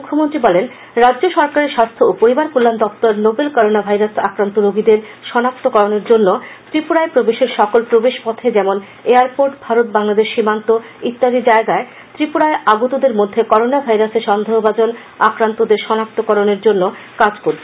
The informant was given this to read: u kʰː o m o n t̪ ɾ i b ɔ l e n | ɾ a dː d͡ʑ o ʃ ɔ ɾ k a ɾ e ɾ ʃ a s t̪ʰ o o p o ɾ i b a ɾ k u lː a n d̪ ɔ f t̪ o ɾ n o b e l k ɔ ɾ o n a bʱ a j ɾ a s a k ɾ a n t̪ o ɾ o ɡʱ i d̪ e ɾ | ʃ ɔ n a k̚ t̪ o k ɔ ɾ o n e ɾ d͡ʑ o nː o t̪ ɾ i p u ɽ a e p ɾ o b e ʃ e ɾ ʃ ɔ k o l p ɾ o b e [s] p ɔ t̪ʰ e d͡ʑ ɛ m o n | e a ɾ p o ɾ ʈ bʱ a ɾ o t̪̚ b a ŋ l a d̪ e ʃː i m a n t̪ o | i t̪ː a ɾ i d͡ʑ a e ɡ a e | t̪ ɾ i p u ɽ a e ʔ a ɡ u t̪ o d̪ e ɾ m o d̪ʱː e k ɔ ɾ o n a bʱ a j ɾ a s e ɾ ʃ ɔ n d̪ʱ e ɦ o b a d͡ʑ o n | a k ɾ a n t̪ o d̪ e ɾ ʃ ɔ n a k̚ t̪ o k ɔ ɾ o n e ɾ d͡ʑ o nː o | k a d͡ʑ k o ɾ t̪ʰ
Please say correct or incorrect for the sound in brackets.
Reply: incorrect